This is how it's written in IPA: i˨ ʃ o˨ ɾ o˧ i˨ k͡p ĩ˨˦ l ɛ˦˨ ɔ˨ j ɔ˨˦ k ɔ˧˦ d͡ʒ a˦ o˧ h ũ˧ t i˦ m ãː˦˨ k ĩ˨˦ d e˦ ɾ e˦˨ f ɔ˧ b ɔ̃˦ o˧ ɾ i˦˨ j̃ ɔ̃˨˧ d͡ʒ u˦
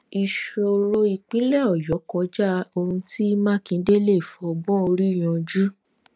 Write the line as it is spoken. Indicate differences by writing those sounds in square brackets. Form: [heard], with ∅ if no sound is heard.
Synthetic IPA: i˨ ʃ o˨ ɾ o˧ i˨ k͡p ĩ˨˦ l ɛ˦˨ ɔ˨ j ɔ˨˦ k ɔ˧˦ d͡ʒ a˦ o˧ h ũ˧ t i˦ m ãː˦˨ k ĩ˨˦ d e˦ [l] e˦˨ f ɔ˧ b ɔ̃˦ o˧ ɾ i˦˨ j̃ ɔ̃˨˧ d͡ʒ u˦